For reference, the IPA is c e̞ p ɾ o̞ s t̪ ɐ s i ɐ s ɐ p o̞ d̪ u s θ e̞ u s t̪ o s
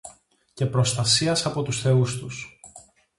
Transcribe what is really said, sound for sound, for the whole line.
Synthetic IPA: c e̞ p ɾ o̞ s t̪ ɐ s i ɐ s ɐ p o̞ t̪ u s θ e̞ u s t̪ u s